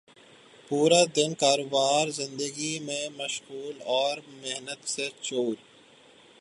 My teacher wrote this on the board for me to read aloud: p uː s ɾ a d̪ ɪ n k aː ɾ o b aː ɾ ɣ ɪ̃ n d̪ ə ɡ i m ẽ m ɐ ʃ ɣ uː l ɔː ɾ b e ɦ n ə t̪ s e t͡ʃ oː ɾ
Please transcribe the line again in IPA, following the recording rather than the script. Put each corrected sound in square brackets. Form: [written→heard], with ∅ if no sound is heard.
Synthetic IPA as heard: p uː [s→∅] ɾ a d̪ ɪ n k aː ɾ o b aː ɾ [ɣ→z] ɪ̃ n d̪ ə ɡ i m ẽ m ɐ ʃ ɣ uː l ɔː ɾ [b→m] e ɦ n ə t̪ s e t͡ʃ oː ɾ